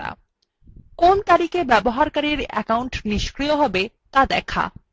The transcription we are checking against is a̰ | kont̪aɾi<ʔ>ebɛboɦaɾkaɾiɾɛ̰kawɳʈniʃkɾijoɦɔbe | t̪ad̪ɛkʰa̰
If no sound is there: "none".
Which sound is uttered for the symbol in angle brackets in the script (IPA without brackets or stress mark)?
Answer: k